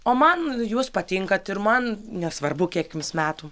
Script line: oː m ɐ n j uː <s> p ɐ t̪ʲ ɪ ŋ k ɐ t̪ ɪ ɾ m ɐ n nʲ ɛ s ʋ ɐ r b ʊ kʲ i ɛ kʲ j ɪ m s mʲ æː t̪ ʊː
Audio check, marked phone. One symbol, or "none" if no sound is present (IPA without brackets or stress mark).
s